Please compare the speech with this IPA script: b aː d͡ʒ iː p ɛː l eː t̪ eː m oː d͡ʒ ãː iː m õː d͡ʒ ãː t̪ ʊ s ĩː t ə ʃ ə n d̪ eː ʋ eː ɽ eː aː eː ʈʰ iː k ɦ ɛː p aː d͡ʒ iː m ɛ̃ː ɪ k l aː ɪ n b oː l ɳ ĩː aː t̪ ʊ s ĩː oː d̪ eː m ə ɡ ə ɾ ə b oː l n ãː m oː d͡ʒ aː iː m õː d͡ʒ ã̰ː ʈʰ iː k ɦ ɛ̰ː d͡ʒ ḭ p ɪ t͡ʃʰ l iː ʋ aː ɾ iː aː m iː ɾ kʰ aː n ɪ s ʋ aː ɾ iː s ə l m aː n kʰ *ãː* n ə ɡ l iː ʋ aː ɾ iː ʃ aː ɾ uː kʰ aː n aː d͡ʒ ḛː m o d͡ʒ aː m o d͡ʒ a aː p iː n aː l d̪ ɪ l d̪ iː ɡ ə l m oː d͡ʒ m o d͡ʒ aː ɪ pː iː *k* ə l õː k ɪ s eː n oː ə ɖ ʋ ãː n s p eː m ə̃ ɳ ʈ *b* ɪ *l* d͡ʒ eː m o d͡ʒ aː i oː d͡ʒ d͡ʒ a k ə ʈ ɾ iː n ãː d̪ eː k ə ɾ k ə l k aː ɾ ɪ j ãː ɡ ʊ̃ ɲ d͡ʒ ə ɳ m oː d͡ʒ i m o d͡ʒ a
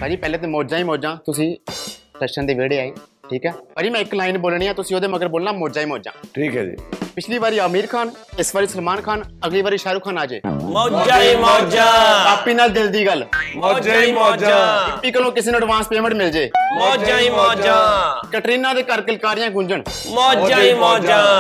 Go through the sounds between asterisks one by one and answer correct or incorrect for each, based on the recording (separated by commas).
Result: incorrect, correct, incorrect, correct